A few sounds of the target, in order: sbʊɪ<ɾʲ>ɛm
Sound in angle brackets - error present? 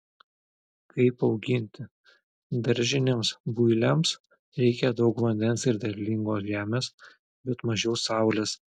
yes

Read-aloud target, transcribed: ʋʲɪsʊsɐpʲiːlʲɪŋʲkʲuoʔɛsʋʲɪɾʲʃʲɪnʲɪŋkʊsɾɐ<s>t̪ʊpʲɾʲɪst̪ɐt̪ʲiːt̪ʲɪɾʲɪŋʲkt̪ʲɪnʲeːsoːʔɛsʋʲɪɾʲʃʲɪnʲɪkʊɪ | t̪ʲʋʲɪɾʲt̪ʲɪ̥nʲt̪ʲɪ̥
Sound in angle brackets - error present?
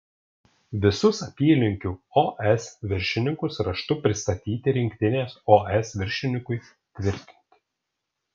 yes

